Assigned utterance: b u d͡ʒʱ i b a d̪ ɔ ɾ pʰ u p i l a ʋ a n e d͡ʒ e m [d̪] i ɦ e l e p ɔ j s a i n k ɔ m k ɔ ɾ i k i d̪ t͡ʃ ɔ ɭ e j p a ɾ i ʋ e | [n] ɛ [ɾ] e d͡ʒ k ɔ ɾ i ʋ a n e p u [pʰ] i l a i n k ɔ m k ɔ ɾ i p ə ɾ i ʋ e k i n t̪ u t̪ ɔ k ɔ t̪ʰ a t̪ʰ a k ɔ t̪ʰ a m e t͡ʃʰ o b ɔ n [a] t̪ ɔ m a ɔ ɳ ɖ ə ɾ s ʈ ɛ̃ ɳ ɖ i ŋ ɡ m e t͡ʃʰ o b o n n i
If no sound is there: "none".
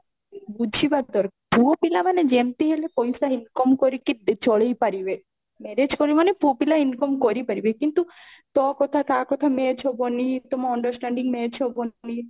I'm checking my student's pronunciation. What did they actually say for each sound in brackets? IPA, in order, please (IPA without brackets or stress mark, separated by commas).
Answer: t̪, m, ɾ, p, i